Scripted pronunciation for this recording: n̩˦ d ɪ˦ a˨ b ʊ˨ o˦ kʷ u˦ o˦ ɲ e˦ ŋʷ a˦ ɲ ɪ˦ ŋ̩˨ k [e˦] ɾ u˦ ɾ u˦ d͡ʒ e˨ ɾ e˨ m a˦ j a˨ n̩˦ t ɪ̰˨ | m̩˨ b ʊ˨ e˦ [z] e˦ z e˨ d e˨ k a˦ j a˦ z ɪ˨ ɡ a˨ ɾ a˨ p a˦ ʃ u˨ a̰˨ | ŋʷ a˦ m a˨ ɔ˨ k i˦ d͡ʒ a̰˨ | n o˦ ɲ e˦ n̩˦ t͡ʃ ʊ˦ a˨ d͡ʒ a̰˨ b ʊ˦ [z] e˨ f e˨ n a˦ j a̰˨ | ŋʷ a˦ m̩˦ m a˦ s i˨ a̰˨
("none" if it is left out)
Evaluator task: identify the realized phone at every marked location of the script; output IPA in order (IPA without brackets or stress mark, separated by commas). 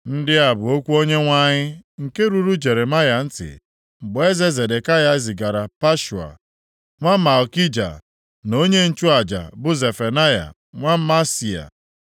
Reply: e˦, z, z